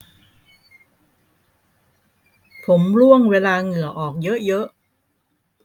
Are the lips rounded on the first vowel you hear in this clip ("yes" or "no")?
yes